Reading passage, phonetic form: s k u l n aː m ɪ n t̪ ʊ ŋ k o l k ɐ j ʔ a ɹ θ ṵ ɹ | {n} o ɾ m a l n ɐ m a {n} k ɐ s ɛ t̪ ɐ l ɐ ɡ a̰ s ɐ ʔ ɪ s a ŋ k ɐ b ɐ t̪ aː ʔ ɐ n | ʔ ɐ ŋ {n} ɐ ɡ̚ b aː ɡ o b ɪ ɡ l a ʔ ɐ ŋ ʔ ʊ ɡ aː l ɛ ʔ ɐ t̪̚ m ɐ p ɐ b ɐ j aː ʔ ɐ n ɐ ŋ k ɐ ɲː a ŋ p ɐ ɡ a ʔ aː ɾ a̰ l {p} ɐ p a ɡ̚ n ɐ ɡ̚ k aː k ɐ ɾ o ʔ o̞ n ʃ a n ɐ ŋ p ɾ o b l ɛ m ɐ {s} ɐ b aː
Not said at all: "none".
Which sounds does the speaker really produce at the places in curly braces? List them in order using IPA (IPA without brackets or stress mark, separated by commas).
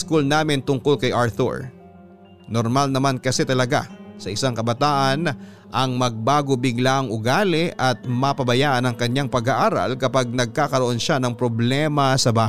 n, n, m, k, s